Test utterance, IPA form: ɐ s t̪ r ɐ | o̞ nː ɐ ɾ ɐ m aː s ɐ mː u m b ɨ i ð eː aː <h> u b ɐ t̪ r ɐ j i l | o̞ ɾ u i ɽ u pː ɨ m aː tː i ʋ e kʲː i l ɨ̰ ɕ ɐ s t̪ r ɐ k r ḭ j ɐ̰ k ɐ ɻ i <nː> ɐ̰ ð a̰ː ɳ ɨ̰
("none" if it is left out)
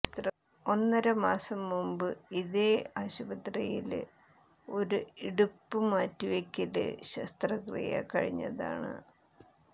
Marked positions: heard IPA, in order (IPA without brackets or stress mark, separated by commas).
ɕ, ɲː